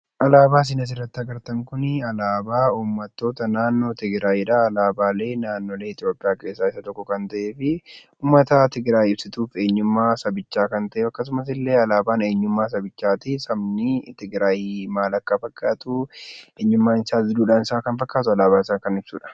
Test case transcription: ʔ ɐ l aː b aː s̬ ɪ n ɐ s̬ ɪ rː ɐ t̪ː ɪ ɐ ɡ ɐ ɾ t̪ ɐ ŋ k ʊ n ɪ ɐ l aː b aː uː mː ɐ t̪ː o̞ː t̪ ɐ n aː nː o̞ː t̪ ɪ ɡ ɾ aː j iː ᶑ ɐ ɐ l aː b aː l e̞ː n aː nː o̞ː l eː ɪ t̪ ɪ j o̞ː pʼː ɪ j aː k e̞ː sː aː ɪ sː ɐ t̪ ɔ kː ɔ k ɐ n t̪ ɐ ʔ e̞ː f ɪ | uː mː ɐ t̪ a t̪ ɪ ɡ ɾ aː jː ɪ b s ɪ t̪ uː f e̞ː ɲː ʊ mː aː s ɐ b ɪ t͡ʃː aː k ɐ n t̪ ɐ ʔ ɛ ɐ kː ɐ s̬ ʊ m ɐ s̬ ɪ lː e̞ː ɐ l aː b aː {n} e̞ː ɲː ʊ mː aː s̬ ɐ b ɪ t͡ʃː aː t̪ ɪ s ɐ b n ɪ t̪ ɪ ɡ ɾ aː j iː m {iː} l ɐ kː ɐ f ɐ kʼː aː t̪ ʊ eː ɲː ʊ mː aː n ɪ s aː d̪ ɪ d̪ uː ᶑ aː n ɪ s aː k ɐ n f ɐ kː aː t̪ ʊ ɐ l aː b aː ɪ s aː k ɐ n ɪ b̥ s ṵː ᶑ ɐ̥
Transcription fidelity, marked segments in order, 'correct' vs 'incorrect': correct, incorrect: aː

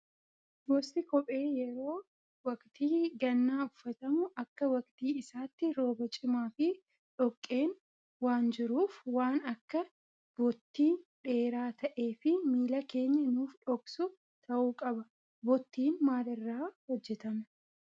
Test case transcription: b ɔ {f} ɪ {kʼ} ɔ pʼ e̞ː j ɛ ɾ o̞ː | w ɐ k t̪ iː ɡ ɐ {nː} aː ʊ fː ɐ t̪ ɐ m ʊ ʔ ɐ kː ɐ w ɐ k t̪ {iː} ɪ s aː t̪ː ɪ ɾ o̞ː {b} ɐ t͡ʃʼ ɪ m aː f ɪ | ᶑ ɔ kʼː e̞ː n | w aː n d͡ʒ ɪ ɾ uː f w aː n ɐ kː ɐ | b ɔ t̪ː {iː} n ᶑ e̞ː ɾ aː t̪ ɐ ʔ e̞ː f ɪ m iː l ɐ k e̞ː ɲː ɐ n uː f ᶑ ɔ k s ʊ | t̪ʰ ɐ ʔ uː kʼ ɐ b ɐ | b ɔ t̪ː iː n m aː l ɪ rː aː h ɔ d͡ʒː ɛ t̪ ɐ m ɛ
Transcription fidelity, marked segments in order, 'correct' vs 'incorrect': incorrect: s, incorrect: k, correct, correct, correct, correct

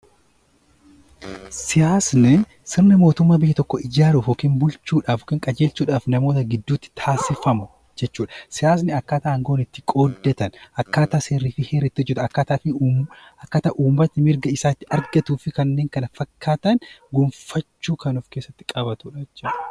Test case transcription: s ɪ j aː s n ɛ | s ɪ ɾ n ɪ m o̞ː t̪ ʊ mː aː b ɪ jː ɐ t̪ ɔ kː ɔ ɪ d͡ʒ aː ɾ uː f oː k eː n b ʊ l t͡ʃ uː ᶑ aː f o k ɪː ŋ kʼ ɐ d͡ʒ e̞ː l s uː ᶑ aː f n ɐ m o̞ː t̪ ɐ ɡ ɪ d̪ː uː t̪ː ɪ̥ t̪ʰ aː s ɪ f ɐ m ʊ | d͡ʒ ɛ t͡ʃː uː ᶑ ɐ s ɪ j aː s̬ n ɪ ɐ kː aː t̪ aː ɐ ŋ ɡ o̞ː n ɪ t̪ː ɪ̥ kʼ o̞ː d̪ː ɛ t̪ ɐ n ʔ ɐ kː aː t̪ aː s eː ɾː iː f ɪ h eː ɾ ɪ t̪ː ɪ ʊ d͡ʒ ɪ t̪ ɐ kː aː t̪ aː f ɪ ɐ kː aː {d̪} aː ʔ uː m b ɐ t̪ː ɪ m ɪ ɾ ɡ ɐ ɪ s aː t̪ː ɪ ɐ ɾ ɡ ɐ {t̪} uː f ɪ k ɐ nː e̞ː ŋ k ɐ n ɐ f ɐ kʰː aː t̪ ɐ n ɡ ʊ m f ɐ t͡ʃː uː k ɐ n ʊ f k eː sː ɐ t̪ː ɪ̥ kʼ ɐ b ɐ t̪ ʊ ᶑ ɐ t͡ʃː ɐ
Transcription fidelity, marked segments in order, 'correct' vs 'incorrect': incorrect: t̪, correct

